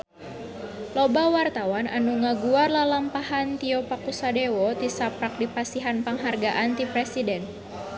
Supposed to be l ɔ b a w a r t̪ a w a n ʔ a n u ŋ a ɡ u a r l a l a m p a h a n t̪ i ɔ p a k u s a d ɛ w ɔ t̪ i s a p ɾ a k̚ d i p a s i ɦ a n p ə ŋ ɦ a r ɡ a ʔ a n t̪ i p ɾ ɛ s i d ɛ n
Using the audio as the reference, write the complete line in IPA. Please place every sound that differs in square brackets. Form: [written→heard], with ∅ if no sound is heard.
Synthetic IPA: l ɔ b a w a r t̪ a w a n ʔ a n u ŋ a ɡ u a r l a l a m p a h a n t̪ i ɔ p a k u s a d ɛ w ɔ t̪ i s a p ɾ a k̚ d i p a s i ɦ a n p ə ŋ ɦ a r ɡ a ʔ a n t̪ i p ɾ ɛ s i d ɛ n